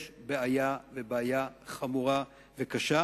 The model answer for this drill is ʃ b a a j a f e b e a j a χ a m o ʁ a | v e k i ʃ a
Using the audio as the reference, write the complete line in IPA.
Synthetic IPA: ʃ b e a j a v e b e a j a χ a m u ʁ a | v e k a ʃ a